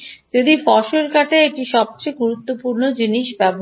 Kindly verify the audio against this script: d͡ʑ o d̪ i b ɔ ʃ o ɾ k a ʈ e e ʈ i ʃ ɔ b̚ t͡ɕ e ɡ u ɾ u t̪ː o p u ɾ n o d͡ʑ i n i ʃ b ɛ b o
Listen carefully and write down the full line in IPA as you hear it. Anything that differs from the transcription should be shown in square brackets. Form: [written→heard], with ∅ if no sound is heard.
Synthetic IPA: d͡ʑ o d̪ i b ɔ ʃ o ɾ k a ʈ e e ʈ i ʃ ɔ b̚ t͡ɕ e ɡ u ɾ u t̪ː o p u ɾ n o d͡ʑ i n i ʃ b ɛ b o